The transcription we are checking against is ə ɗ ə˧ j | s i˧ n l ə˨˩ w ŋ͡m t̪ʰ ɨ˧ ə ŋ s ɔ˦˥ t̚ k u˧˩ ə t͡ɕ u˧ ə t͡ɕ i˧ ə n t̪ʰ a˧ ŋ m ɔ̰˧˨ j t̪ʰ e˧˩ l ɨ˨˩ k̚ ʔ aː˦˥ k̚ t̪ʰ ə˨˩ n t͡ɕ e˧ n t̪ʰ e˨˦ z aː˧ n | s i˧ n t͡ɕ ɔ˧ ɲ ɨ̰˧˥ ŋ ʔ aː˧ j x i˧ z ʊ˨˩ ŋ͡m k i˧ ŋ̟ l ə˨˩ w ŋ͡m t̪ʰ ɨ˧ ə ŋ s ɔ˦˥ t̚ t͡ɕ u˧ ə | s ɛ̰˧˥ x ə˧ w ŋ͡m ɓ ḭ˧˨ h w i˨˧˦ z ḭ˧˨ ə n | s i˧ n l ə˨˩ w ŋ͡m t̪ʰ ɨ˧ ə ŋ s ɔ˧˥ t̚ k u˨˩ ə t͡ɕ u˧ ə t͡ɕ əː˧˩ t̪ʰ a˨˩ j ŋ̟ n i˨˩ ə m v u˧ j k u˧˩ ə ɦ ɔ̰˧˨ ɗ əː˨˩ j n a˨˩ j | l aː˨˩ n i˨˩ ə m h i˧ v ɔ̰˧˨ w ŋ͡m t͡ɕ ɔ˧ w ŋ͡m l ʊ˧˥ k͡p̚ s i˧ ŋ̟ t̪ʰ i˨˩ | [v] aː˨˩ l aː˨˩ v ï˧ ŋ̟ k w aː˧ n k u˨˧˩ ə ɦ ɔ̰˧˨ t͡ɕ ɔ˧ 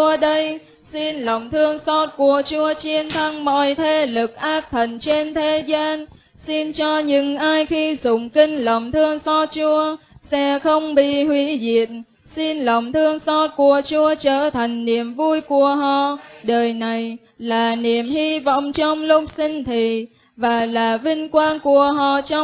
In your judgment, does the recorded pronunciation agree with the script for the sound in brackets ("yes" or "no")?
yes